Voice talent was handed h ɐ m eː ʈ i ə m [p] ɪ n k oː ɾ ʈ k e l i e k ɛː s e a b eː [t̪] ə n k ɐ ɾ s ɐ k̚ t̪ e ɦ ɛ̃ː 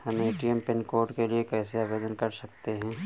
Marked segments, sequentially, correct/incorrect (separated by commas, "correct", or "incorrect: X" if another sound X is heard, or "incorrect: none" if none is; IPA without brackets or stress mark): correct, incorrect: d̪